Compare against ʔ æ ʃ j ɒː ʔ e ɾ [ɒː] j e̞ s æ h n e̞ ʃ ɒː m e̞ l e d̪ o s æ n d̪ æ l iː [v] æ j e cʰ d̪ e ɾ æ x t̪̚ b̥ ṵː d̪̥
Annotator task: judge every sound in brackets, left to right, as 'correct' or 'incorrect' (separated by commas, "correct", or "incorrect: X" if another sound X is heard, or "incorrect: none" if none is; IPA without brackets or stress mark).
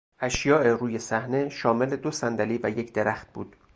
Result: incorrect: uː, correct